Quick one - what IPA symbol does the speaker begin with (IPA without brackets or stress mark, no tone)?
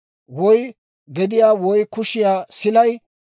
w